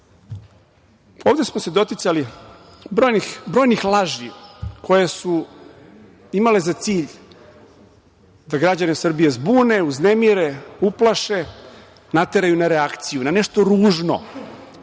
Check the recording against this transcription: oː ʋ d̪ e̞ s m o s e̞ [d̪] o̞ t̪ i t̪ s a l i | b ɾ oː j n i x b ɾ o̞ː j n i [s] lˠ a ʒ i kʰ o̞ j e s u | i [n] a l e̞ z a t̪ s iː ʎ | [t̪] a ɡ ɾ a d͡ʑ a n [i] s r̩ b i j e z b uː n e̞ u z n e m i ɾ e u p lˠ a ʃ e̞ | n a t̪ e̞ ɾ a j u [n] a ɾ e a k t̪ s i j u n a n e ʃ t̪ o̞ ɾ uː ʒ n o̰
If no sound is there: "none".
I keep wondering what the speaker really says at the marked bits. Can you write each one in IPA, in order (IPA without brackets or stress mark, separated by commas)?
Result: d̪, x, m, d̪, e, n